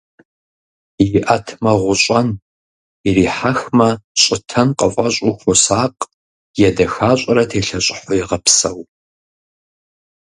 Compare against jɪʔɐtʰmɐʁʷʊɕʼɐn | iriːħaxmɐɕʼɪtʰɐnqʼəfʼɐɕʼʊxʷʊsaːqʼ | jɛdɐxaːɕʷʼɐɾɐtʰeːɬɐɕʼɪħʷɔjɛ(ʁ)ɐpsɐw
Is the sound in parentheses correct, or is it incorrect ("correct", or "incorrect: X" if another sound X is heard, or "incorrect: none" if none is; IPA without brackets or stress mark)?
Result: correct